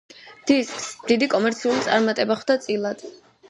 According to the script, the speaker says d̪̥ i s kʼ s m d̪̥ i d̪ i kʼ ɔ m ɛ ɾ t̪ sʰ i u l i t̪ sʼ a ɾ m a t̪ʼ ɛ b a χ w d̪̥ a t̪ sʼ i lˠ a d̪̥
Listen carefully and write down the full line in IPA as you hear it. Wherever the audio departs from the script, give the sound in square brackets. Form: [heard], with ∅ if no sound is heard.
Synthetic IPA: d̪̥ i s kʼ s m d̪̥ i d̪ i kʼ ɔ m ɛ ɾ t̪ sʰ i u l i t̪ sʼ a ɾ m a t̪ʼ ɛ b a χ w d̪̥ a t̪ sʼ i lˠ a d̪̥